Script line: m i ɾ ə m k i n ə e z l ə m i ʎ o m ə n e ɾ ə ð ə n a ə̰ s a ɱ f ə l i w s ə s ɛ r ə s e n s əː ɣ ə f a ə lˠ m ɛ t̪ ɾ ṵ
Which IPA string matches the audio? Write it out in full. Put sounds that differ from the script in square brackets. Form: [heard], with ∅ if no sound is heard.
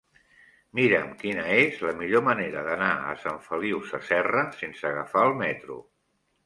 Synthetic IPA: m i ɾ ə m k i n ə e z l ə m i ʎ o m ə n e ɾ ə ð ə n a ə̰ s a ɱ f ə l i w s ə s ɛ r ə s e n s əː ɣ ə f a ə lˠ m ɛ t̪ ɾ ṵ